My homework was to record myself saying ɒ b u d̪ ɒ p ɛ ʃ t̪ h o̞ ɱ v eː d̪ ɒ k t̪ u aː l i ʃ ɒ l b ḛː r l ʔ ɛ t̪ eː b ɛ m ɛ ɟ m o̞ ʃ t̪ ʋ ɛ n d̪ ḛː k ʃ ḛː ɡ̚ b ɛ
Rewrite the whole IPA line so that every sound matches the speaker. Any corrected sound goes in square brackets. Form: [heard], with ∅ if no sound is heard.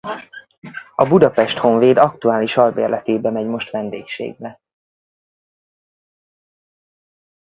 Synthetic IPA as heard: ɒ b u d̪ ɒ p ɛ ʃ t̪ h o̞ ɱ v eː d̪ ɒ k t̪ u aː l i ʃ ɒ l b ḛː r l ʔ ɛ t̪ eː b ɛ m ɛ ɟ m o̞ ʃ t̪ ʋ ɛ n d̪ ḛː k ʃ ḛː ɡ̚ b ɛ